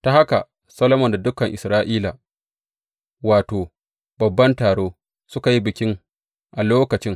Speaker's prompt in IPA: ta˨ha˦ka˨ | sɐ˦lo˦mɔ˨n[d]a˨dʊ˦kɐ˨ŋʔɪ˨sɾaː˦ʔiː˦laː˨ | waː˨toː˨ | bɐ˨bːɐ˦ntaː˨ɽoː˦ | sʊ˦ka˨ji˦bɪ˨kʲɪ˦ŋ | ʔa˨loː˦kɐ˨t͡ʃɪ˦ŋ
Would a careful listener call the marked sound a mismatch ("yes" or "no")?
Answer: no